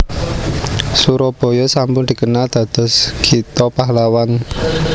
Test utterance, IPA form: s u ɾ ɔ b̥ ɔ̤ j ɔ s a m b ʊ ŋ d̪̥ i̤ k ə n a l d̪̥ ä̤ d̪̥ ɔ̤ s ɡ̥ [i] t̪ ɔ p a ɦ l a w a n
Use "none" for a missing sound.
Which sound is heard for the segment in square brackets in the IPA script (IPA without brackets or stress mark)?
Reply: i